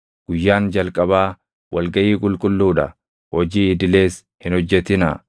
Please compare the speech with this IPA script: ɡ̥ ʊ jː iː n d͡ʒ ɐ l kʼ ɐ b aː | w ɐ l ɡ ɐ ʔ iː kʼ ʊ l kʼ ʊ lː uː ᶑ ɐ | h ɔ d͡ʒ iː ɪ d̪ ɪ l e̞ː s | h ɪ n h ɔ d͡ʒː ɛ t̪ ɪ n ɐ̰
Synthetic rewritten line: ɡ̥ ʊ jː aː n d͡ʒ ɐ l kʼ ɐ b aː | w ɐ l ɡ ɐ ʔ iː kʼ ʊ l kʼ ʊ lː uː ᶑ ɐ | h ɔ d͡ʒ iː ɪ d̪ ɪ l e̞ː s | h ɪ n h ɔ d͡ʒː ɛ t̪ ɪ n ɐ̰